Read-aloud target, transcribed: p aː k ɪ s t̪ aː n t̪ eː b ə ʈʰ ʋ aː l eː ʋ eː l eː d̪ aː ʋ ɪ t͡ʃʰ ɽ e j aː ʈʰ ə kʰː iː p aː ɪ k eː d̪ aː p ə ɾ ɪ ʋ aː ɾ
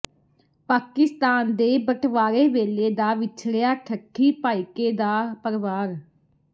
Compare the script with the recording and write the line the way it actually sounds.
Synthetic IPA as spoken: p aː k ɪ s t̪ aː n d̪ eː b ə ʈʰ ʋ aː ɾ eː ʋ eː l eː d̪ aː ʋ ɪ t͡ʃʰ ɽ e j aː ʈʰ ə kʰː iː p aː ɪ k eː d̪ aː p ə ɾ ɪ ʋ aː ɾ

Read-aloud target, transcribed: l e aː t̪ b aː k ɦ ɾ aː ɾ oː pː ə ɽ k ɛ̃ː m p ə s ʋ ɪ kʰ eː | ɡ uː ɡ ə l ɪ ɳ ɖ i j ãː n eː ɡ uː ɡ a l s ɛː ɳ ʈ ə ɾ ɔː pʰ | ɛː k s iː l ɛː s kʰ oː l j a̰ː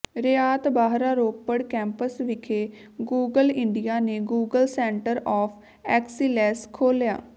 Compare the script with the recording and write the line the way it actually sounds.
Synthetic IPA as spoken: ɾ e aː t̪ b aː ɦ ɾ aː ɾ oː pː ə ɽ k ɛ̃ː m p ə s ʋ ɪ kʰ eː | ɡ uː ɡ ə l ɪ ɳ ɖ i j aː n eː ɡ uː ɡ ə l s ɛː ɳ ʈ ə ɾ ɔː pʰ | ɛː k s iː l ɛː s kʰ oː l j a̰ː

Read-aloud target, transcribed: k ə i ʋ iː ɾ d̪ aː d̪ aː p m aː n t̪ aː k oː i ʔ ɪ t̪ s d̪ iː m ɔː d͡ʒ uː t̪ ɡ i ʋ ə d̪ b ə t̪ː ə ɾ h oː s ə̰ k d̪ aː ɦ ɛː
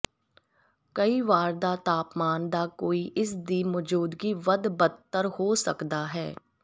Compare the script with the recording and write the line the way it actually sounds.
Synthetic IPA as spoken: k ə i ʋ aː ɾ d̪ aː t̪ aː p m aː n d̪ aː k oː i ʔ ɪ s d̪ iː m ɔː d͡ʒ uː d̪ ɡ i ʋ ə d̪ b ə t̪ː ə ɾ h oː s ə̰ k d̪ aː ɦ ɛː

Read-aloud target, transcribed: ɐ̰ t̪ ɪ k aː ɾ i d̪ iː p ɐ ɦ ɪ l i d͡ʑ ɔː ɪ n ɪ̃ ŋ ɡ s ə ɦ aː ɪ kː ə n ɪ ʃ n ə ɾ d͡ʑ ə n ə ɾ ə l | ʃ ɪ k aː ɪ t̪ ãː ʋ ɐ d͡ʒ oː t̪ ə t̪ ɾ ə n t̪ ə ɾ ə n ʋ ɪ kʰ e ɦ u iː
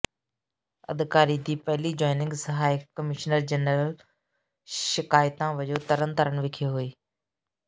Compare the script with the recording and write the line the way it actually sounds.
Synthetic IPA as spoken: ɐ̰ d̪ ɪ k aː ɾ i d̪ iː p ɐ ɦ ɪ l i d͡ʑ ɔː ɪ n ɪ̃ ŋ ɡ s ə ɦ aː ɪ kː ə m ɪ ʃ n ə ɾ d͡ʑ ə n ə ɾ ə l | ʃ ɪ k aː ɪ t̪ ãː ʋ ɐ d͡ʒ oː t̪ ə ɾ ə n t̪ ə ɾ ə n ʋ ɪ kʰ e ɦ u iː

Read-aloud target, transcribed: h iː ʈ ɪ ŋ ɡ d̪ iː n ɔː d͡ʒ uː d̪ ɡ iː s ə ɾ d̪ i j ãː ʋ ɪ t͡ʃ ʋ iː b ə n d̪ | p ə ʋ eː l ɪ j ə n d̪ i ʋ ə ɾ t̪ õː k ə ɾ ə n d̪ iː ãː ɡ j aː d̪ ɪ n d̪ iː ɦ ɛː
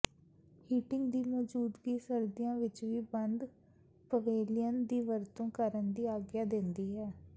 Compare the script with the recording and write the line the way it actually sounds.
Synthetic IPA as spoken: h iː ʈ ɪ ŋ ɡ d̪ iː m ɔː d͡ʒ uː d̪ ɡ iː s ə ɾ d̪ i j ãː ʋ ɪ t͡ʃ ʋ iː b ə n d̪ | p ə ʋ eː l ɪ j ə n d̪ iː ʋ ə ɾ t̪ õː k ə ɾ ə n d̪ iː aː ɡ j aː d̪ ɪ n d̪ iː ɦ ɛː

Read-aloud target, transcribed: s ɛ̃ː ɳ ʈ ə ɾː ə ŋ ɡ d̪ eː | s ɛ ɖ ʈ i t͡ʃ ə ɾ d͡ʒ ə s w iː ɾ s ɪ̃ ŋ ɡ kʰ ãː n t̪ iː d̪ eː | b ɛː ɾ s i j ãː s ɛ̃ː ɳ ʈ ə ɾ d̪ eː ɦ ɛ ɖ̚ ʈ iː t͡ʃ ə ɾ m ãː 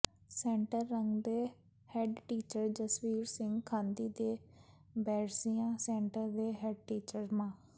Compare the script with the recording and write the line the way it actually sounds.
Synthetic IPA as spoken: s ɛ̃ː ɳ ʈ ə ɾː ə ŋ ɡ d̪ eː | h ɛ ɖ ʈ iː t͡ʃ ə ɾ d͡ʒ ə s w iː ɾ s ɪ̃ ŋ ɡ kʰ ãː n d̪ iː d̪ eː | b ɛː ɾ s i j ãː s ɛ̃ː ɳ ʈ ə ɾ d̪ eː ɦ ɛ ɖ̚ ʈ iː t͡ʃ ə ɾ m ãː

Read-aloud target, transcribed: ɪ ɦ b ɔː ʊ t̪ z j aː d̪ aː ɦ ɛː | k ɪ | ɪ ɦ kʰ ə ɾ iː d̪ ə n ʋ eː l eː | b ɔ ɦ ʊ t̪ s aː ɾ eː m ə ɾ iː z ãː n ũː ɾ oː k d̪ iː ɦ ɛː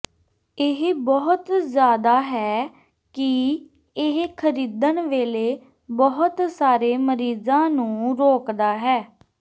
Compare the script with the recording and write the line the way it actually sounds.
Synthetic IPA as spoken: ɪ ɦ b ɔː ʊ t̪ z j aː d̪ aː ɦ ɛː | k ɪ | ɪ ɦ kʰ ə ɾ iː d̪ ə n ʋ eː l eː | b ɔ ɦ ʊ t̪ s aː ɾ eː m ə ɾ iː z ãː n ũː ɾ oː k d̪ aː ɦ ɛː

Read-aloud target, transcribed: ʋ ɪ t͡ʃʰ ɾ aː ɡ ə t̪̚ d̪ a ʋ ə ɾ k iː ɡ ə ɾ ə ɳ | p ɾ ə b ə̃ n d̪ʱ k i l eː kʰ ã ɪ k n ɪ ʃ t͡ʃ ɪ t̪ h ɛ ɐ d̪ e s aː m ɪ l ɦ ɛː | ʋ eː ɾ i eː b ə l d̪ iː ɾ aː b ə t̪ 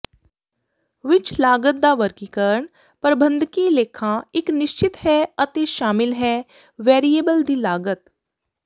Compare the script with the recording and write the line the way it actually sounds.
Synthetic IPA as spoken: ʋ ɪ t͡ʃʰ l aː ɡ ə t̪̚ d̪ a ʋ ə ɾ k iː k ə ɾ ə ɳ | p ɾ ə b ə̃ n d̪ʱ k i l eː kʰ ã ɪ k n ɪ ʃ t͡ʃ ɪ t̪ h ɛ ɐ t̪ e ʃ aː m ɪ l ɦ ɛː | ʋ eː ɾ i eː b ə l d̪ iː l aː ɡ ə t̪

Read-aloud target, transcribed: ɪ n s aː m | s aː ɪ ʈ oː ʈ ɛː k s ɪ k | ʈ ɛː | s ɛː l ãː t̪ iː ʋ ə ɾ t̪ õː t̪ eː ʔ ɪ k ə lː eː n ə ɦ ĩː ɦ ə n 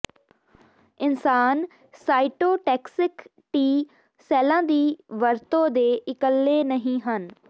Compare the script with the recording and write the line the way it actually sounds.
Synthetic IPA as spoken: ɪ n s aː n | s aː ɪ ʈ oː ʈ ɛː k s ɪ k | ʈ iː | s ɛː l ãː d̪ iː ʋ ə ɾ t̪ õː d̪ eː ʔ ɪ k ə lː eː n ə ɦ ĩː ɦ ə n

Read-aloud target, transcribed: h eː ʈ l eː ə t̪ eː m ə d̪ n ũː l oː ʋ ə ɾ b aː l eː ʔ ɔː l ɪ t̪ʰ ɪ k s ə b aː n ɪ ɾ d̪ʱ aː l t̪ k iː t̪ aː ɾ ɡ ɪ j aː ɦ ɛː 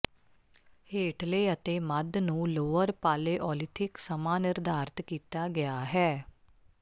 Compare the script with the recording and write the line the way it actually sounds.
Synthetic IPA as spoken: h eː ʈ l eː ə t̪ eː m ə d̪ n ũː l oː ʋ ə ɾ p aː l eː ʔ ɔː l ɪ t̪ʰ ɪ k s ə m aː n ɪ ɾ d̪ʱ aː ɾ t̪ k iː t̪ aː ɡ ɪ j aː ɦ ɛː

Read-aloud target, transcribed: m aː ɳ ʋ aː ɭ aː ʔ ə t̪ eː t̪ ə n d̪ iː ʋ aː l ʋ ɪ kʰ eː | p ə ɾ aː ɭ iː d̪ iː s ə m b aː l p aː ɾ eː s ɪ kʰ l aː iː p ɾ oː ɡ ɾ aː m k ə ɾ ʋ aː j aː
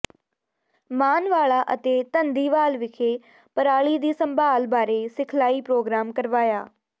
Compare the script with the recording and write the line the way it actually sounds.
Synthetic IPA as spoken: m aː n ʋ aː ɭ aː ʔ ə t̪ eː t̪ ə n d̪ iː ʋ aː l ʋ ɪ kʰ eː | p ə ɾ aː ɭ iː d̪ iː s ə m b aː l b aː ɾ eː s ɪ kʰ l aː iː p ɾ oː ɡ ɾ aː m k ə ɾ ʋ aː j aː

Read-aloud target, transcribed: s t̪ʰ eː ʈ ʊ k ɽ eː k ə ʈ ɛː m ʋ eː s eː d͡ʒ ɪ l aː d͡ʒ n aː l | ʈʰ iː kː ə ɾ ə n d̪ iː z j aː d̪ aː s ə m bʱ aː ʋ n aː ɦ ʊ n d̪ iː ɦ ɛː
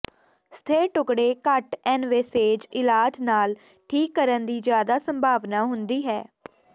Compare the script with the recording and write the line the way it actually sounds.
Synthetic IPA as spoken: s t̪ʰ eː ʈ ʊ k ɽ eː k ə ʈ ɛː n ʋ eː s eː d͡ʒ ɪ l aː d͡ʒ n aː l | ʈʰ iː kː ə ɾ ə n d̪ iː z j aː d̪ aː s ə m bʱ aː ʋ n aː ɦ ʊ n d̪ iː ɦ ɛː

